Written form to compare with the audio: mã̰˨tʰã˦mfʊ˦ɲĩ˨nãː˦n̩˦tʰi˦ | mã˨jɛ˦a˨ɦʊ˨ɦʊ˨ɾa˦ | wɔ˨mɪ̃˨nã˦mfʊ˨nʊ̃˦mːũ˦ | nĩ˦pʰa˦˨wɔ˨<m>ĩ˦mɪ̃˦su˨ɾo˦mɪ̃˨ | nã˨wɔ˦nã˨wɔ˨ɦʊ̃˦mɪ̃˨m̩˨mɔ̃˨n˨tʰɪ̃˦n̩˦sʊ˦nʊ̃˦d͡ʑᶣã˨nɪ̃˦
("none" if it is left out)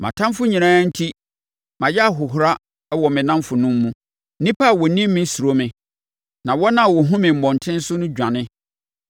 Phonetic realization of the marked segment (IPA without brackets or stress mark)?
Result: n